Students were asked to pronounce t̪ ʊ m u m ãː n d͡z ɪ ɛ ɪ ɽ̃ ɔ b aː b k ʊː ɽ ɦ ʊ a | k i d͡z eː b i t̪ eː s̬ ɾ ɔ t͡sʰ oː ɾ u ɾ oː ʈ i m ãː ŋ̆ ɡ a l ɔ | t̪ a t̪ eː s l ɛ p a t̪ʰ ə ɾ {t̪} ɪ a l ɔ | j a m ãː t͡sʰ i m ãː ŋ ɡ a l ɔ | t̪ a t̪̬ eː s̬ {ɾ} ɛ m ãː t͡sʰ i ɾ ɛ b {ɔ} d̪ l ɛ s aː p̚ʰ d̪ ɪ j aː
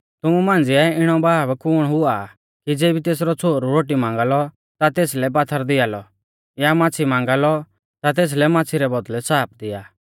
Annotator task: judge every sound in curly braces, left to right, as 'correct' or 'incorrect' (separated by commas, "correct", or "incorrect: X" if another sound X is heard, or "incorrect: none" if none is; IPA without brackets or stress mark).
incorrect: d̪, incorrect: l, correct